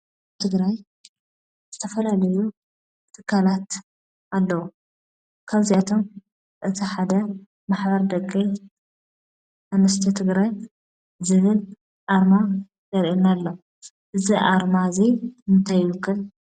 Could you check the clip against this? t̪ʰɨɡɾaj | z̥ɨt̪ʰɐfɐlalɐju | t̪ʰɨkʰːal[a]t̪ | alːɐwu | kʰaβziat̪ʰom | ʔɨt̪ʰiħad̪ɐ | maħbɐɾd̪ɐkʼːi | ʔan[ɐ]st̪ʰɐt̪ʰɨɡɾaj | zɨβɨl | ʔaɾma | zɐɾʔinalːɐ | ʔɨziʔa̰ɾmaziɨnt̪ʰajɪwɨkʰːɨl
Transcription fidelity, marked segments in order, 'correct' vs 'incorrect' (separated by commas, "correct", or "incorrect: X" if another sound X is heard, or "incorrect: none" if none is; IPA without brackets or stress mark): correct, correct